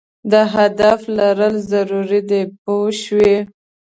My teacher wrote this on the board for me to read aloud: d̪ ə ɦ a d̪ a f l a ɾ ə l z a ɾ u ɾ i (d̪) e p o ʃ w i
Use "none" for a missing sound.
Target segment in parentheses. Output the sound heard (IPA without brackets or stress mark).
d̪